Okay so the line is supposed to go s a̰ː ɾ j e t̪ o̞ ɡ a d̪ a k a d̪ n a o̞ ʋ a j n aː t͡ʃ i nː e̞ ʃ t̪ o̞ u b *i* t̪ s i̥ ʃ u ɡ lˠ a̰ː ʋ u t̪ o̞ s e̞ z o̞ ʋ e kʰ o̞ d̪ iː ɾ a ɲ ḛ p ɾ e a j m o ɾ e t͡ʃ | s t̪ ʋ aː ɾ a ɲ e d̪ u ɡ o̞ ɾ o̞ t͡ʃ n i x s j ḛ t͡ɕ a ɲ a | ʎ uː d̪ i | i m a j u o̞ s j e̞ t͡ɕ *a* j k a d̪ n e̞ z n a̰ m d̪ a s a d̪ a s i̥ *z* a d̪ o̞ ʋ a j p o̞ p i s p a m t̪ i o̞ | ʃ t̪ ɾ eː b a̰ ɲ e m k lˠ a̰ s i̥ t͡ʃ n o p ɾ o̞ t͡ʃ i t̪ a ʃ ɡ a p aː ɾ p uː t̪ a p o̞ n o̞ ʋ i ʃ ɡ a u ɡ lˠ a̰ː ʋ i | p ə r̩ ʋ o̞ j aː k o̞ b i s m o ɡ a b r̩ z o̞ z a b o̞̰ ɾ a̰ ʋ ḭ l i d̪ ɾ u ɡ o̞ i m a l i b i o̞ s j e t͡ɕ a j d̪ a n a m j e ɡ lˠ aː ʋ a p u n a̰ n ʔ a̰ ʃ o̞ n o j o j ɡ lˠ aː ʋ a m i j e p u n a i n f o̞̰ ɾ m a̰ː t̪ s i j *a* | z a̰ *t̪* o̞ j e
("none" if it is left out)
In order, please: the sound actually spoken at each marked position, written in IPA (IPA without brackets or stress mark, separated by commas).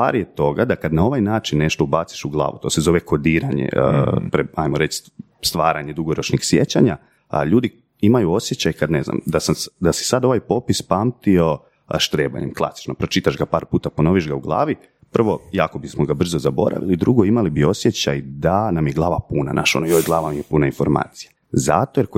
a, a, s, a, t̪